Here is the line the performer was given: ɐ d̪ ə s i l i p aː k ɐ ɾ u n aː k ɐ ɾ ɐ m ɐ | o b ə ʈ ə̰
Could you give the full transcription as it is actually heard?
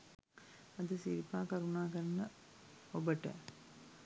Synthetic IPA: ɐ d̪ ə s i ɾ i p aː k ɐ ɾ u n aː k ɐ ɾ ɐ n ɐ | o b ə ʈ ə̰

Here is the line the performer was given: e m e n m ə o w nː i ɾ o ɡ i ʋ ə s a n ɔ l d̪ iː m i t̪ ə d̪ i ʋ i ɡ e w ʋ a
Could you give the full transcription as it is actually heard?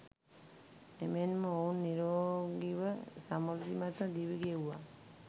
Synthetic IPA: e m e n m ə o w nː i ɾ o ɡ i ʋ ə s a m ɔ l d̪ i m a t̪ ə d̪ i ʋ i ɡ e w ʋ a

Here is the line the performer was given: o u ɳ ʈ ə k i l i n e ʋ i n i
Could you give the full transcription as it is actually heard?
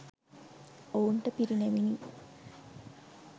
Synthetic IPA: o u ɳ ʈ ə p i ɾ i n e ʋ i n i

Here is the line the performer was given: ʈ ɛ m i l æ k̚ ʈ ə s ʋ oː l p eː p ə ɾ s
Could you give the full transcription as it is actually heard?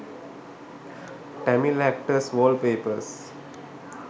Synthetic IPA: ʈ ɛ m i l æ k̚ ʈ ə s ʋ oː l p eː p ə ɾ s

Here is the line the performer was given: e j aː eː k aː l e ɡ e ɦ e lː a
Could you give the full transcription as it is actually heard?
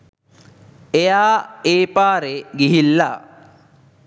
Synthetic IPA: e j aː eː p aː ɾ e ɡ i ɦ i lː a

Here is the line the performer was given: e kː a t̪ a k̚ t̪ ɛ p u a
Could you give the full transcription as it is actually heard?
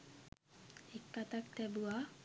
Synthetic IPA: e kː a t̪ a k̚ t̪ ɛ b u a

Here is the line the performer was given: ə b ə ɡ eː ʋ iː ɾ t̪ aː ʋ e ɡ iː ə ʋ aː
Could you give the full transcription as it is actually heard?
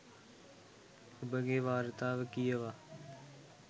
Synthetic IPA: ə b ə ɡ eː ʋ aː ɾ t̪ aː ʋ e k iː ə ʋ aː

